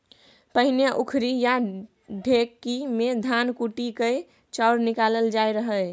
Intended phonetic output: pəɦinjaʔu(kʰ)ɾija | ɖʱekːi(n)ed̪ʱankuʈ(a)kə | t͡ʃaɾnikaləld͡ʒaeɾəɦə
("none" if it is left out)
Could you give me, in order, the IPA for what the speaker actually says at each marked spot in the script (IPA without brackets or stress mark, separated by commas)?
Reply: kʰ, m, i